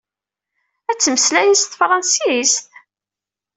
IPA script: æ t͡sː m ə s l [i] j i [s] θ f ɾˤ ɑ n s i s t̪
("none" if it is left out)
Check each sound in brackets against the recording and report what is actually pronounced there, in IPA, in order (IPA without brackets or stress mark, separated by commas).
æ, s